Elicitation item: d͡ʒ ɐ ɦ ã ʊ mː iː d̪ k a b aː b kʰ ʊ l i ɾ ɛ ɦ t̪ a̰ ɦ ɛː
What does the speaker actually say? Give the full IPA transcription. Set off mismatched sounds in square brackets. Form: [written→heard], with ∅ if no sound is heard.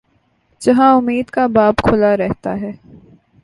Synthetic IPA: d͡ʒ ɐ ɦ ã ʊ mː iː d̪ k a b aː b kʰ ʊ l [i→a] ɾ ɛ ɦ t̪ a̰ ɦ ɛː